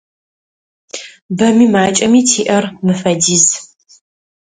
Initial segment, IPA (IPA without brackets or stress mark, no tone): b